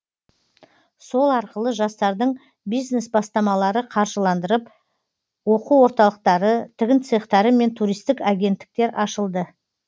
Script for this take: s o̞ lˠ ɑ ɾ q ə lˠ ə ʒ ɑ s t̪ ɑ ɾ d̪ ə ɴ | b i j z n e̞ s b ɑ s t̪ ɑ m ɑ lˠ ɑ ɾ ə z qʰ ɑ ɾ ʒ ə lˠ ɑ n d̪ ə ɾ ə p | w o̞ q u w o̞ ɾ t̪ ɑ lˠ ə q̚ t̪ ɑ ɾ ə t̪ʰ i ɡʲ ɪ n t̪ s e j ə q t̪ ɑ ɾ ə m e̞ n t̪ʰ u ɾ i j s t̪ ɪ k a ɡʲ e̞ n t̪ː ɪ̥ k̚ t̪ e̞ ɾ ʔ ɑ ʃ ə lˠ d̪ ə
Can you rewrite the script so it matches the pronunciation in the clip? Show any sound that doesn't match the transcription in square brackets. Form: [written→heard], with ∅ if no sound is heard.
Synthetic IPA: s o̞ lˠ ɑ ɾ q ə lˠ ə ʒ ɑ s t̪ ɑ ɾ d̪ ə ɴ | b i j z n e̞ s b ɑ s t̪ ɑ m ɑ lˠ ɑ ɾ ə [z→∅] qʰ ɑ ɾ ʒ ə lˠ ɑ n d̪ ə ɾ ə p | w o̞ q u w o̞ ɾ t̪ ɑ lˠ ə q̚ t̪ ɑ ɾ ə t̪ʰ [i→ɪ] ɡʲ ɪ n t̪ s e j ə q t̪ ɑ ɾ ə m e̞ n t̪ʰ u ɾ i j s t̪ ɪ k a ɡʲ e̞ n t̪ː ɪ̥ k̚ t̪ e̞ ɾ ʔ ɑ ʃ ə lˠ d̪ ə